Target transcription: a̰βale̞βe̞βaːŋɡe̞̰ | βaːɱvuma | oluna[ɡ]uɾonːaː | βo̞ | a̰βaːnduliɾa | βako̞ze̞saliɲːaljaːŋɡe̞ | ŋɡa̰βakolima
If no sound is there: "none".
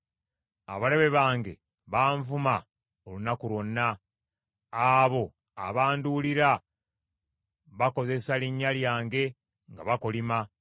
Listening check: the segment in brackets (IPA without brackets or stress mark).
k